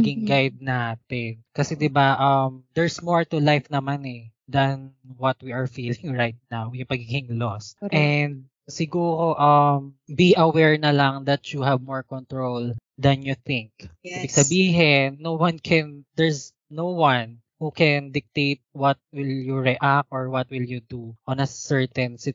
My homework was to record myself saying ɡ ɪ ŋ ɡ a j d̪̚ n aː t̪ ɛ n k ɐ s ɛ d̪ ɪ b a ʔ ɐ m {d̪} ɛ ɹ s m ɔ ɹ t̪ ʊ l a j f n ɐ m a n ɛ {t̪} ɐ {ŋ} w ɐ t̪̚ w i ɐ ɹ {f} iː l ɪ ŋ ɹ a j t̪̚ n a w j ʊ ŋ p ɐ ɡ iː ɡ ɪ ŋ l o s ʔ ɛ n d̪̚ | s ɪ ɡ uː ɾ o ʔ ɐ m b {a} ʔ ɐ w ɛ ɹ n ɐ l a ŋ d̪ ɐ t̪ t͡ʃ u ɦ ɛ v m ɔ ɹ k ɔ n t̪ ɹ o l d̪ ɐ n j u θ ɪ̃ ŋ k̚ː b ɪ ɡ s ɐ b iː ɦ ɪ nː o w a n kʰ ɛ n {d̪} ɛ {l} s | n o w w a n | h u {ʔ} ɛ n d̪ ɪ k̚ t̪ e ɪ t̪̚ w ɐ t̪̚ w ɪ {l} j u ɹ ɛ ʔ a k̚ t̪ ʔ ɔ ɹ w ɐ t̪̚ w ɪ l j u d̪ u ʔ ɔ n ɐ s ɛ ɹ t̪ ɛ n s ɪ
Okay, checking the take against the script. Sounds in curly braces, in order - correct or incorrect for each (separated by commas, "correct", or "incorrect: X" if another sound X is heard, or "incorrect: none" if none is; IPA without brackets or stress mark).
correct, incorrect: d̪, incorrect: n, correct, incorrect: i, correct, incorrect: ɹ, incorrect: k, correct